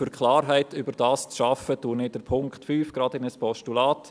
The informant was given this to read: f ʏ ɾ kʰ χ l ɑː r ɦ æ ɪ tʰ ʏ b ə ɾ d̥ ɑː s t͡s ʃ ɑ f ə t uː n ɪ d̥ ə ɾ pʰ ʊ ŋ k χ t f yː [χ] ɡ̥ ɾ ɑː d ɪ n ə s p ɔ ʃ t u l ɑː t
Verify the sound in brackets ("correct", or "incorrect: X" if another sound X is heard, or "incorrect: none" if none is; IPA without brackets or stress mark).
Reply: incorrect: f